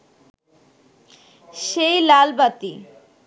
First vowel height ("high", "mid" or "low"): mid